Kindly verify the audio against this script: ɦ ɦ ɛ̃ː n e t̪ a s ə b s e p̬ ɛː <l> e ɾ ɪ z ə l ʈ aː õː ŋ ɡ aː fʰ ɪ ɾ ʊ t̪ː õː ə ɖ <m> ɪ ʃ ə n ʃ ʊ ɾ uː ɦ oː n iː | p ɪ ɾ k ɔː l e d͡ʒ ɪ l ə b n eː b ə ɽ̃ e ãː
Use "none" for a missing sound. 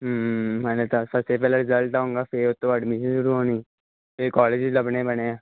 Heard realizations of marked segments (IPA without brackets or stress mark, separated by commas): l, m